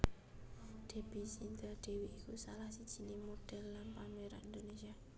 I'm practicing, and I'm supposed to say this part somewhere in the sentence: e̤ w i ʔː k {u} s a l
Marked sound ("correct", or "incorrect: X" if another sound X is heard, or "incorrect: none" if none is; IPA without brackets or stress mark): correct